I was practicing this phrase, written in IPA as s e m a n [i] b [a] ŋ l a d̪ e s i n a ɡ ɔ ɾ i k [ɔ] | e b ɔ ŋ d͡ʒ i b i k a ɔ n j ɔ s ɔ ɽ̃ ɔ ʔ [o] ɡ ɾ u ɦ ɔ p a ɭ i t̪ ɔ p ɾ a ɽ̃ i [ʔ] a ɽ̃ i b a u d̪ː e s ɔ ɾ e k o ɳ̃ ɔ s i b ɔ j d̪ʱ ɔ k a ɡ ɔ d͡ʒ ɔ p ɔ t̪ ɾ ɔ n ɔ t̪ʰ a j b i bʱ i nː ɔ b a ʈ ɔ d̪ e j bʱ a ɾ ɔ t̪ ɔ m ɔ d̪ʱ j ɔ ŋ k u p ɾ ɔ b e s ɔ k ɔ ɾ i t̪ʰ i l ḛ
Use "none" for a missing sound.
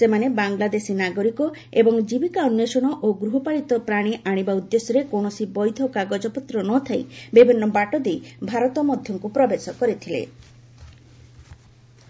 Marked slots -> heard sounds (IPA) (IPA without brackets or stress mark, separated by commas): e, a, ɔ, o, ʔ